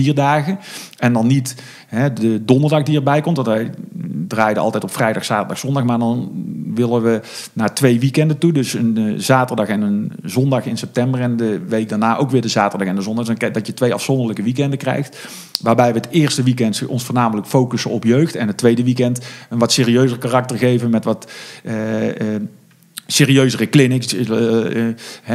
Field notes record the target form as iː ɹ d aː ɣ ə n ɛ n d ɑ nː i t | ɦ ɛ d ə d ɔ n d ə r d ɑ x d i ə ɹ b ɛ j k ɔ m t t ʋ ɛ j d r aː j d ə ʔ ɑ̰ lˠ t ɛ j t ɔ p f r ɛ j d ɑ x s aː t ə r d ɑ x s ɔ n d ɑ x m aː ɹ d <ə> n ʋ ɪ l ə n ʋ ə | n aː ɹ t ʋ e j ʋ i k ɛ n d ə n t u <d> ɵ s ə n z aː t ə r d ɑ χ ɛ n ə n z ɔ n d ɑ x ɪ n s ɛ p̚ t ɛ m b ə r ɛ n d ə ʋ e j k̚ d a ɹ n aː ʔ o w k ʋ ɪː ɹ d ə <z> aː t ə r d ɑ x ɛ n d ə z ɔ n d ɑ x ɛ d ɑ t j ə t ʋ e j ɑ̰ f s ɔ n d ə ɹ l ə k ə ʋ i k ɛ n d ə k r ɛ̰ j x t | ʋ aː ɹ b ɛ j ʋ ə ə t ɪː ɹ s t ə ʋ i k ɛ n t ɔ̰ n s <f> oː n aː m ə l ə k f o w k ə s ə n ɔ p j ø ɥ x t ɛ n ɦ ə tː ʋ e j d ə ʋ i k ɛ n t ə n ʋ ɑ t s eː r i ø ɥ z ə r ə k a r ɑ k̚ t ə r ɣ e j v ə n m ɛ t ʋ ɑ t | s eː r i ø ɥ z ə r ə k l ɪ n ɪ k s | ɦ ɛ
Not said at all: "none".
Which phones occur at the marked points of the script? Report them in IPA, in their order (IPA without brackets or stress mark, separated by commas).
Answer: ɑ, d, z, f